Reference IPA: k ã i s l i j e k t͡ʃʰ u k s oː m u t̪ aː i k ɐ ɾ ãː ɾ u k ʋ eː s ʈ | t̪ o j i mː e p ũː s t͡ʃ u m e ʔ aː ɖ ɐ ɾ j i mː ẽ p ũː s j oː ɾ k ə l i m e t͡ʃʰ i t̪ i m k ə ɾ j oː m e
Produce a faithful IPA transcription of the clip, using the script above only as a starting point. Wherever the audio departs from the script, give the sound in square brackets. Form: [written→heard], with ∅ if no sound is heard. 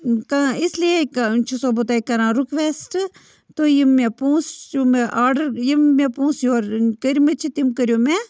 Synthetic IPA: k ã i s l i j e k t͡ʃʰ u [k→∅] s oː [m→b] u t̪ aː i k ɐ ɾ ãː ɾ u k ʋ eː s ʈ | t̪ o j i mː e p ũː s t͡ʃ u m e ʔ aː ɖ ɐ ɾ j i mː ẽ p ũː s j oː ɾ k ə [l→ɾ] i m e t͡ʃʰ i t̪ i m k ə ɾ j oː m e